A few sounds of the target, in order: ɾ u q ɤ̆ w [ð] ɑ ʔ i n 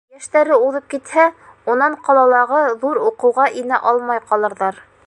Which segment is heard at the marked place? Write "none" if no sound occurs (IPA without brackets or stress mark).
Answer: ʁ